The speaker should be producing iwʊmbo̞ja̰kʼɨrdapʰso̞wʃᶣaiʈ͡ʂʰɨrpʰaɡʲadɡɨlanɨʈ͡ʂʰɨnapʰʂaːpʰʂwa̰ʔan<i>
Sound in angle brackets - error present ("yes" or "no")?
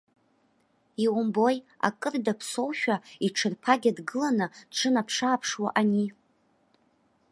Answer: no